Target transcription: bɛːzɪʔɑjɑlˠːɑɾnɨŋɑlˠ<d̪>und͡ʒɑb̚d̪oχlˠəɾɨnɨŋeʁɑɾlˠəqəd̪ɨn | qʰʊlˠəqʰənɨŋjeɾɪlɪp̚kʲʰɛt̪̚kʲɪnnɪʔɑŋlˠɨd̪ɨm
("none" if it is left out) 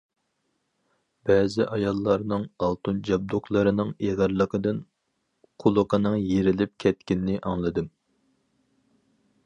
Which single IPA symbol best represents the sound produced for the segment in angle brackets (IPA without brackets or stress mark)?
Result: t̪